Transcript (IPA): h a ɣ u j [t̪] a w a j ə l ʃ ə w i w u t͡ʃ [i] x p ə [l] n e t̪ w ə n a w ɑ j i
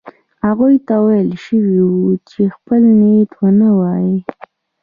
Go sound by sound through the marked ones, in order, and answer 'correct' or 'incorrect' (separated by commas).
correct, incorrect, correct